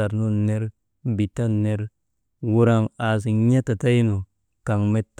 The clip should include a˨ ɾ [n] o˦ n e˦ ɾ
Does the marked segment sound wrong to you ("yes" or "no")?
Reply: no